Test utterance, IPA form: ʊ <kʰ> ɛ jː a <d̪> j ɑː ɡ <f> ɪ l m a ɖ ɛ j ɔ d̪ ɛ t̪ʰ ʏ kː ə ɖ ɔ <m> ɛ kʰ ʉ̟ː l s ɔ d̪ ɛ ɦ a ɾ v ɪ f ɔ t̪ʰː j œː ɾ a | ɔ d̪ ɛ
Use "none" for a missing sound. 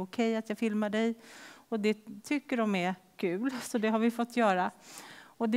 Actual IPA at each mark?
kʰ, t̪, f, m

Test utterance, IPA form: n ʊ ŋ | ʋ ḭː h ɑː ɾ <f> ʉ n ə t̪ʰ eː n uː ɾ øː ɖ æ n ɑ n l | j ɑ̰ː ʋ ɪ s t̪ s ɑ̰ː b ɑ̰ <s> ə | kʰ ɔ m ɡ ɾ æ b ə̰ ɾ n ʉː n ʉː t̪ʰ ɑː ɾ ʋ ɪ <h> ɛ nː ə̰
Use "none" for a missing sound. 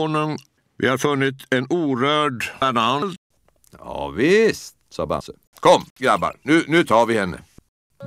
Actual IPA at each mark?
f, s, h

